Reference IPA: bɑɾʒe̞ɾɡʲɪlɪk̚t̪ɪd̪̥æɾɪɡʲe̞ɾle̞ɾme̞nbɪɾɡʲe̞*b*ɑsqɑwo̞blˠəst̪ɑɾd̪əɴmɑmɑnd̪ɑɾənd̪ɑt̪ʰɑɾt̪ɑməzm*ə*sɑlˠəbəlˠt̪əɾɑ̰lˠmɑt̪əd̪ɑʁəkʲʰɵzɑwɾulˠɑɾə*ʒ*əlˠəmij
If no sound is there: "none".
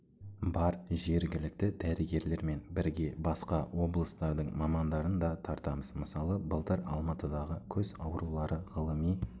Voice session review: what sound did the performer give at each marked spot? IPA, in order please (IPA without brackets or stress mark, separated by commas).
b, ə, ʁ